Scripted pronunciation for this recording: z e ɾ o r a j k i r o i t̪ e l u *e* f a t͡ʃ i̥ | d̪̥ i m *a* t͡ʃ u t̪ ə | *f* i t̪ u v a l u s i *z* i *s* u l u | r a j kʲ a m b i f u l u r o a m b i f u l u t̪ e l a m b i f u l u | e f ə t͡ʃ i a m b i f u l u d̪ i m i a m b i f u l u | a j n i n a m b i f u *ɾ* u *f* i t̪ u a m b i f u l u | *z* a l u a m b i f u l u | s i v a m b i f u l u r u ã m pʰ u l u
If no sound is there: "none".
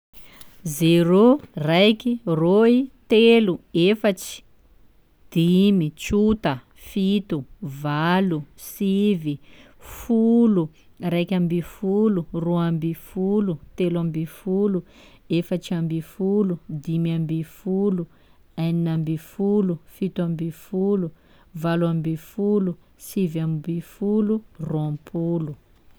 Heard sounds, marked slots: e, i, f, v, f, l, f, v

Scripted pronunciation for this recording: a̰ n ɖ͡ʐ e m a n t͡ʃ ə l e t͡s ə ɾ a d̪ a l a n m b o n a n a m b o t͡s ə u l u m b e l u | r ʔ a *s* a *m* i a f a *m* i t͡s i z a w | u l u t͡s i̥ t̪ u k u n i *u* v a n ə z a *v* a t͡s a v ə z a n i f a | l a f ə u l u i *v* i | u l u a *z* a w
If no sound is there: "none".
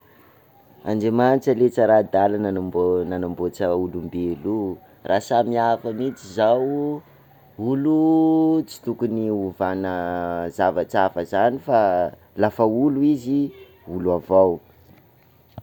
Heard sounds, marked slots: s, m, m, u, v, z, v

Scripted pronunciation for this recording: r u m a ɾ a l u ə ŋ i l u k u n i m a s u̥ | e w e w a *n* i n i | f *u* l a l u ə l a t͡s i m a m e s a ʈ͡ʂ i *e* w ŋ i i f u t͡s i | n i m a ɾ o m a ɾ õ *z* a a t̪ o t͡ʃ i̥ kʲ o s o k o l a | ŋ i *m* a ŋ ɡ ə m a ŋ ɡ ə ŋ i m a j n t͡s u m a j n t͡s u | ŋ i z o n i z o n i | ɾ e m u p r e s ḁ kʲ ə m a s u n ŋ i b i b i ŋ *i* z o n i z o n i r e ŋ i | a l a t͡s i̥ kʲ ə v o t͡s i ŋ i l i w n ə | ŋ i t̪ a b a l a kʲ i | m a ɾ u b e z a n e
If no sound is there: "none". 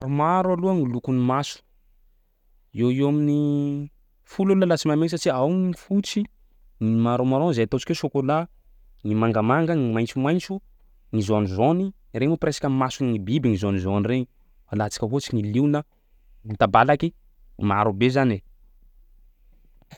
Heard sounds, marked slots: m, u, a, z, m, i

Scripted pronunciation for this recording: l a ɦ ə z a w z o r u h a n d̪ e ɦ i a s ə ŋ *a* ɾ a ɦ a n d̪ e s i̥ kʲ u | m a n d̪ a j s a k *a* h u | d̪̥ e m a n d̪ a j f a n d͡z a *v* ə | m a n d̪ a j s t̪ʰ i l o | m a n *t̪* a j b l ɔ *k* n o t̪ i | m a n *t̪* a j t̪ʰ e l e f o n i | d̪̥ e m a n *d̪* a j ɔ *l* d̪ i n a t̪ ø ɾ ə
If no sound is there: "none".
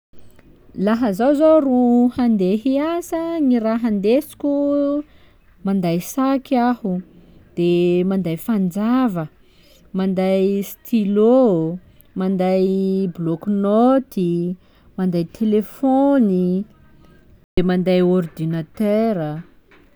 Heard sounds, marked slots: i, a, v, d̪, k, d̪, d̪, r

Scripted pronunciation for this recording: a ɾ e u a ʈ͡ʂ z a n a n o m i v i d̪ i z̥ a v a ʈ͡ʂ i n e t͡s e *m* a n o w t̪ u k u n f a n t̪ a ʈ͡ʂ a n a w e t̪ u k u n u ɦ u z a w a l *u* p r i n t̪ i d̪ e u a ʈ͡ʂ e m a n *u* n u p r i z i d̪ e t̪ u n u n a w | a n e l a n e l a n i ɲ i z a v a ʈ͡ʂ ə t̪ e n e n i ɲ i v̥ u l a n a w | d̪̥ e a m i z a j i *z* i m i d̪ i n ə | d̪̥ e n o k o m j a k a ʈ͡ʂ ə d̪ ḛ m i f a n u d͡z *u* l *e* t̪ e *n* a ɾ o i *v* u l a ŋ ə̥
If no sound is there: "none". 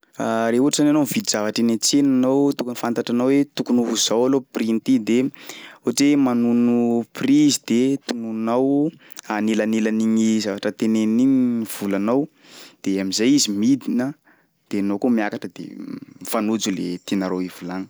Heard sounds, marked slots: n, o, u, z, u, e, n, v

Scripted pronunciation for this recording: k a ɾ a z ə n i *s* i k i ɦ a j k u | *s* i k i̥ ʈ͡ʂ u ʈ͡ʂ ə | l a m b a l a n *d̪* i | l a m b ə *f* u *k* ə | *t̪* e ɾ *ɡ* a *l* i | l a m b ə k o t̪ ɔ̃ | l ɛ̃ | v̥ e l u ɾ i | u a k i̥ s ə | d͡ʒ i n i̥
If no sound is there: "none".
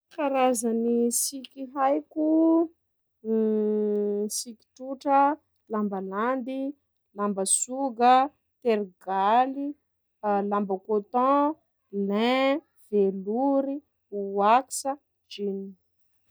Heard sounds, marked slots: s, s, d̪, s, ɡ, t̪, ɡ, l

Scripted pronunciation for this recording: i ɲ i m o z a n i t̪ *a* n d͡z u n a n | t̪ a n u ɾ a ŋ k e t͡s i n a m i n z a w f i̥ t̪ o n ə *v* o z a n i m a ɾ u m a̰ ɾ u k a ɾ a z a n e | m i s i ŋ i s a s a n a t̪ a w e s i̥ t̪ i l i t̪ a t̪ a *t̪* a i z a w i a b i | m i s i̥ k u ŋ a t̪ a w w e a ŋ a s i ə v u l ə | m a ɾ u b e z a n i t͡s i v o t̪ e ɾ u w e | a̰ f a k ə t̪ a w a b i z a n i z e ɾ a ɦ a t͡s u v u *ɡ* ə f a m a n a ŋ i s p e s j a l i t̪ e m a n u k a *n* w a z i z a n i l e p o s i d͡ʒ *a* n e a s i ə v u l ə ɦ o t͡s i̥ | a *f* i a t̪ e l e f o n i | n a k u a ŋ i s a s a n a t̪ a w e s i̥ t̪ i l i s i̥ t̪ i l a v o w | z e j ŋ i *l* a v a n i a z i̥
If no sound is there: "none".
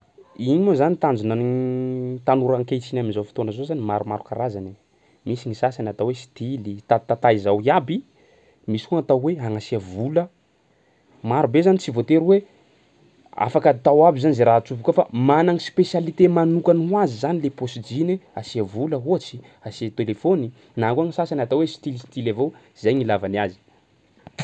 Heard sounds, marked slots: a, z, t̪, k, n, i, s, l

